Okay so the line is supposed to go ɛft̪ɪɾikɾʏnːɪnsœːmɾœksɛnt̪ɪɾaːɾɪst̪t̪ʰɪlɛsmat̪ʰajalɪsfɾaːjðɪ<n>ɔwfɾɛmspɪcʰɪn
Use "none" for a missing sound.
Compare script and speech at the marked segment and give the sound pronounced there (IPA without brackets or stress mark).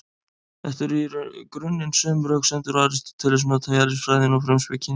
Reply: n